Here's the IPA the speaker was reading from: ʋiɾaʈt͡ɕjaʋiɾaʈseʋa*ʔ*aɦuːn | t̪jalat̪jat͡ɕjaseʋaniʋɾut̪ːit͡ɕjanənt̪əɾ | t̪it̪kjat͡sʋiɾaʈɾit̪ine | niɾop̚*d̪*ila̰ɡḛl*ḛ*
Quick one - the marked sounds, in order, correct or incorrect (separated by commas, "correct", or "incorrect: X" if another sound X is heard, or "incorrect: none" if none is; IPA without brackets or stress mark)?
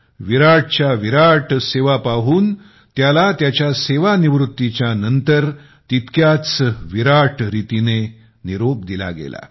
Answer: incorrect: p, correct, incorrect: a̰